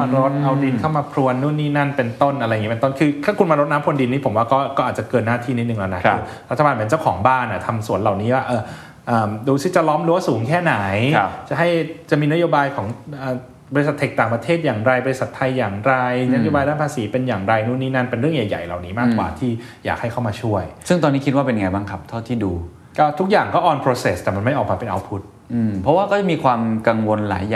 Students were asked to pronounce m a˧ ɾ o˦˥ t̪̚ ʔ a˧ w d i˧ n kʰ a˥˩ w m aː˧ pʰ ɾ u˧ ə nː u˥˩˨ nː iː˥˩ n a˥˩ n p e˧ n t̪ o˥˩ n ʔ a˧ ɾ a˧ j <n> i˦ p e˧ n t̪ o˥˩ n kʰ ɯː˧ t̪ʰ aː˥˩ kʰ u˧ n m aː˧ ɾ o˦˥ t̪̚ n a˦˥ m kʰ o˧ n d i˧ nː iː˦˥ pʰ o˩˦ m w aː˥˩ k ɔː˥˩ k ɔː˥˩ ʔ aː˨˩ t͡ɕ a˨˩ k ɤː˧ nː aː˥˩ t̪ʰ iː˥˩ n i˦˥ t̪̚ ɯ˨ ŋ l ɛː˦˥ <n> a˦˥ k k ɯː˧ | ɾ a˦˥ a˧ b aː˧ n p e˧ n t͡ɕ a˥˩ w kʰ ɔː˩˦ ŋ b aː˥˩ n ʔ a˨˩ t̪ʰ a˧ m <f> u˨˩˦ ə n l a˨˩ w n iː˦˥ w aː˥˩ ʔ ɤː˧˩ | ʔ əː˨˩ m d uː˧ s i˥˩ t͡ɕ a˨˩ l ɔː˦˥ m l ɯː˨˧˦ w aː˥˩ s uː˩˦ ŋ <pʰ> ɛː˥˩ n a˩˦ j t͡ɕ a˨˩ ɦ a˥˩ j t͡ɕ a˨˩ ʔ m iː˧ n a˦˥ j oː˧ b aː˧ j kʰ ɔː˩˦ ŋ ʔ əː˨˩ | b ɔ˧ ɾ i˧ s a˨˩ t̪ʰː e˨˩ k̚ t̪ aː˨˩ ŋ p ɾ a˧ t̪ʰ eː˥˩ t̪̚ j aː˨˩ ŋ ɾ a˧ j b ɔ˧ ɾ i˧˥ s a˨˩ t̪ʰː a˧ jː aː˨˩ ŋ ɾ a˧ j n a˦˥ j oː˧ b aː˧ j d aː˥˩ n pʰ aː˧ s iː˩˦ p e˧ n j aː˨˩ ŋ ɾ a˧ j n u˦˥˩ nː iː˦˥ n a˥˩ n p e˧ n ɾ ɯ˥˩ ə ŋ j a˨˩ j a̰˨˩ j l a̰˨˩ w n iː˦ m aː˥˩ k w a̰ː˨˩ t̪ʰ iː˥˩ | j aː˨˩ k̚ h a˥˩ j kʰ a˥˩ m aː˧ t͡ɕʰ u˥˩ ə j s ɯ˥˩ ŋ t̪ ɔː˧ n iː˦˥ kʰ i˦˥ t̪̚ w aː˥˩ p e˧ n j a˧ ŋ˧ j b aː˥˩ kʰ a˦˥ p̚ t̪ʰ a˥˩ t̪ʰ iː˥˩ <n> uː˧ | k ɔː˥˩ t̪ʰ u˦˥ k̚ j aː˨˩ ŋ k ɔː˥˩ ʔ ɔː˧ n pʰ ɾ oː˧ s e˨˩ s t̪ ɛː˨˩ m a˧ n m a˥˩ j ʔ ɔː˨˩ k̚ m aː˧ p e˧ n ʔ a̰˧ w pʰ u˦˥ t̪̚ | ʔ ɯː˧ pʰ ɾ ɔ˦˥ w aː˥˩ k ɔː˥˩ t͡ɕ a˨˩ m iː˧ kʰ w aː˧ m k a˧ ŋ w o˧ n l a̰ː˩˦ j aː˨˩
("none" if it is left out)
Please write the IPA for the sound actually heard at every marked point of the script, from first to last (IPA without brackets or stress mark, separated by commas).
ŋ, n, s, kʰ, d